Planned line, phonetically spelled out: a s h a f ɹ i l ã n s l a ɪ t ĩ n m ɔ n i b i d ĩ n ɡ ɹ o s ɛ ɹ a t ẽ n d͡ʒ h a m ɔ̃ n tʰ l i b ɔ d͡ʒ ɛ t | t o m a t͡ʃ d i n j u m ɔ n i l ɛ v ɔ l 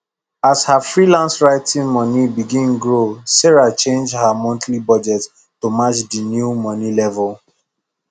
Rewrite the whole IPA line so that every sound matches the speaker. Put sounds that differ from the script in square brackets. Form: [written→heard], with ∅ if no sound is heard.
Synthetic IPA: a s h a f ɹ i l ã n s [l→ɹ] a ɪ t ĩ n m ɔ n i b i [d→ɡ] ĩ n ɡ ɹ o s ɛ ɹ a [t→t͡ʃ] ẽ n d͡ʒ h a m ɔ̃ n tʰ l i b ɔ d͡ʒ ɛ t | t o m a t͡ʃ d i n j u m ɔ n i l ɛ v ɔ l